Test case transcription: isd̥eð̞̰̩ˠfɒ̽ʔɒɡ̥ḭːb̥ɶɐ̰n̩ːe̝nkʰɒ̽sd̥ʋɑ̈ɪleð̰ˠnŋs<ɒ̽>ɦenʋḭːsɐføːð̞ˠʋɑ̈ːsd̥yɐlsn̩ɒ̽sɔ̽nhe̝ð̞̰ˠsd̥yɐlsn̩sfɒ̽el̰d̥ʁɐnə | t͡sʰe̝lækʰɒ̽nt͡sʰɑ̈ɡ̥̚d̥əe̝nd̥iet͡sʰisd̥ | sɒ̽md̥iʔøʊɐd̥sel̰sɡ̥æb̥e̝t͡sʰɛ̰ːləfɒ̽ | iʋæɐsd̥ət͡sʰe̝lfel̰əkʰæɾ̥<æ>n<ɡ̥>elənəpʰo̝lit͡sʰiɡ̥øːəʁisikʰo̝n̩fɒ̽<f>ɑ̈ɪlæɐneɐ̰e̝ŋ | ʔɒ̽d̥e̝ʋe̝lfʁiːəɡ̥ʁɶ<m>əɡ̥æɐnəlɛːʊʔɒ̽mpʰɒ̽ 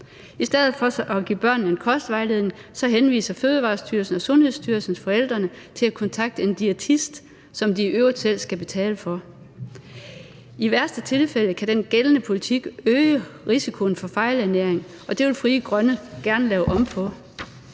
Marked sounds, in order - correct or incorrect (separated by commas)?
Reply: correct, incorrect, correct, correct, incorrect